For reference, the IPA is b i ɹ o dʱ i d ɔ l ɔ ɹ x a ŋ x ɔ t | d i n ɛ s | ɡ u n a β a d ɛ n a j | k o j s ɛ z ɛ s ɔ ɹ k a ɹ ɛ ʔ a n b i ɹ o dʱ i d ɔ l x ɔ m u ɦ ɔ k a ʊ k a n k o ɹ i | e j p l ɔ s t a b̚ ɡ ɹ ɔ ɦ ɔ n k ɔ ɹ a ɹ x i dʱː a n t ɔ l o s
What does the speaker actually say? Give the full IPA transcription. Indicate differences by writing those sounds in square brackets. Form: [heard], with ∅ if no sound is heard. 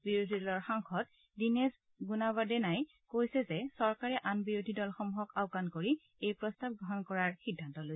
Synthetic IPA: b i ɹ o dʱ i d ɔ l ɔ ɹ x a ŋ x ɔ t | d i n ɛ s | ɡ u n a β a d ɛ n a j | k o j s ɛ z ɛ s ɔ ɹ k a ɹ ɛ ʔ a n b i ɹ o dʱ i d ɔ l x ɔ m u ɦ ɔ k a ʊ k a n k o ɹ i | e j p [ɹ] ɔ s t a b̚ ɡ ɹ ɔ ɦ ɔ n k ɔ ɹ a ɹ x i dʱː a n t ɔ l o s

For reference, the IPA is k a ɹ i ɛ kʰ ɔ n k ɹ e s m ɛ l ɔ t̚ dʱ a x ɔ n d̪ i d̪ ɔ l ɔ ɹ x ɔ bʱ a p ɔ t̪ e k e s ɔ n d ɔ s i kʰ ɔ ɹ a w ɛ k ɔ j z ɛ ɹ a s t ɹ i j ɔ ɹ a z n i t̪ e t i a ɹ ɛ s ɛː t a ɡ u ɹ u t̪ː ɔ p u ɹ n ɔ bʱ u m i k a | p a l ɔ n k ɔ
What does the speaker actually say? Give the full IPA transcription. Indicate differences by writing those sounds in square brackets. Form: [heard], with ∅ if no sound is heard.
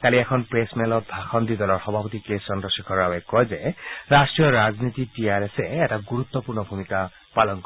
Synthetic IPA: k a [l] i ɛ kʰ ɔ n [p] ɹ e s m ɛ l ɔ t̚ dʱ a x ɔ n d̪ i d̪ ɔ l ɔ ɹ x ɔ bʱ a p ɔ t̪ [i] k e s ɔ n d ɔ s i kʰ ɔ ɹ a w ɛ k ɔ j z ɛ ɹ a s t ɹ i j ɔ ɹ a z n i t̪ [i] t i a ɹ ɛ s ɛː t a ɡ u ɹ u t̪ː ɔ p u ɹ n ɔ bʱ u m i k a | p a l ɔ n k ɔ

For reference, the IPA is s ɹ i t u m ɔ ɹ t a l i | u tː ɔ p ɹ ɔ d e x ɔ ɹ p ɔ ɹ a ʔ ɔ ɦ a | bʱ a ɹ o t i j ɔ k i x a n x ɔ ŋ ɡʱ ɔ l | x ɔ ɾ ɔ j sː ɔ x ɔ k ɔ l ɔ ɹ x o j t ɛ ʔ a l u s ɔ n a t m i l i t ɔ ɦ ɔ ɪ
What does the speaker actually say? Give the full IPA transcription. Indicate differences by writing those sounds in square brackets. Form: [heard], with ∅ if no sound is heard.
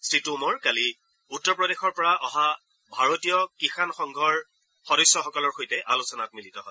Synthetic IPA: s ɹ i t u m ɔ ɹ [k] a l i | u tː ɔ p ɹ ɔ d e x ɔ ɹ p ɔ ɹ a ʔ ɔ ɦ a | bʱ a ɹ o t i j ɔ k i x a n x ɔ ŋ ɡʱ ɔ [ɹ] | x ɔ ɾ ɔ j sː ɔ x ɔ k ɔ l ɔ ɹ x o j t ɛ ʔ a l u s ɔ n a t m i l i t ɔ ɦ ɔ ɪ

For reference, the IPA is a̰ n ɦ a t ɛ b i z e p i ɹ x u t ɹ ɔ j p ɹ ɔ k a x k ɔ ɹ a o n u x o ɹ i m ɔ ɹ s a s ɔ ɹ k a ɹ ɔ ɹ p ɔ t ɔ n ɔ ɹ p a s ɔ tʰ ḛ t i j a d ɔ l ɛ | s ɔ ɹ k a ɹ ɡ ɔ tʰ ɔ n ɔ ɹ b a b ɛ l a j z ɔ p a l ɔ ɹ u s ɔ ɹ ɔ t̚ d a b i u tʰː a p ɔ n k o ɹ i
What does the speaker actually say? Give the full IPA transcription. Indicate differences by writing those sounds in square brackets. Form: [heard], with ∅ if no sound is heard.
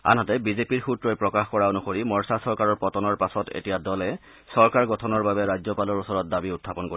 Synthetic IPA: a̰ n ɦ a t ɛ b i z e p i ɹ x u t ɹ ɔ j p ɹ ɔ k a x k ɔ ɹ a o n u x o ɹ i m ɔ ɹ s a s ɔ ɹ k a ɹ ɔ ɹ p ɔ t ɔ n ɔ ɹ p a s ɔ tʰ ḛ t i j a d ɔ l ɛ | s ɔ ɹ k a ɹ ɡ ɔ tʰ ɔ n ɔ ɹ b a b ɛ [ɹ] a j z ɔ p a l ɔ ɹ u s ɔ ɹ ɔ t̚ d a b i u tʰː a p ɔ n k o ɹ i

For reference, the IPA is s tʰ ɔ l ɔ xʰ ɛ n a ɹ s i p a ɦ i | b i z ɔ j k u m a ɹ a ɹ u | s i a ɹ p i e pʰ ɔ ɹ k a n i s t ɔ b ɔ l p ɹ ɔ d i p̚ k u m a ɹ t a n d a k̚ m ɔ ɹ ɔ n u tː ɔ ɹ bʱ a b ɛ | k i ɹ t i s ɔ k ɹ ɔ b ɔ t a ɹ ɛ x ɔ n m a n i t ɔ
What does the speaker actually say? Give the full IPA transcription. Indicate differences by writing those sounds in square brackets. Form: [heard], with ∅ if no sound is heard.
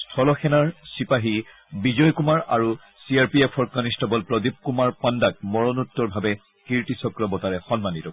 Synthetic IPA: s tʰ ɔ l ɔ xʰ ɛ n a ɹ s i p a ɦ i | b i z ɔ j k u m a ɹ a ɹ u | s i a ɹ p i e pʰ ɔ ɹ k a n i s t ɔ b ɔ l p ɹ ɔ d i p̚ k u m a ɹ [p] a n d a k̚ m ɔ ɹ ɔ n u tː ɔ ɹ bʱ a b ɛ | k i ɹ t i s ɔ k ɹ ɔ b ɔ t a ɹ ɛ x ɔ n m a n i t ɔ

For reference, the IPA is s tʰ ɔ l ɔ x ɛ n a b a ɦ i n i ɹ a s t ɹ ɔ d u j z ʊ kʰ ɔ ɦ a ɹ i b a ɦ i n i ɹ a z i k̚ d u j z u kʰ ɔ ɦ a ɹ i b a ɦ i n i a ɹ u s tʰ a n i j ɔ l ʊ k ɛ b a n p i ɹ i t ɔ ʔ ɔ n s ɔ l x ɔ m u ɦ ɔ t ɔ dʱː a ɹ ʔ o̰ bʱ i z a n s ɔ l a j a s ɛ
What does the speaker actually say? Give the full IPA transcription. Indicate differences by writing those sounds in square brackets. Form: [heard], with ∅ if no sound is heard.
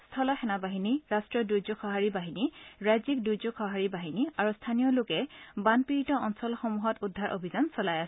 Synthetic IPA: s tʰ ɔ l ɔ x ɛ n a b a ɦ i n i ɹ a s t ɹ ɔ d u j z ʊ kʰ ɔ ɦ a ɹ i b a ɦ i n i ɹ a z i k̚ d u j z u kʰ ɔ ɦ a ɹ i b a ɦ i n i a ɹ u s tʰ a n i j ɔ l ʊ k ɛ b a n p i ɹ i t ɔ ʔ ɔ n s ɔ l x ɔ m u ɦ ɔ t [u] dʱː a ɹ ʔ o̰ bʱ i z a n s ɔ l a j a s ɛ

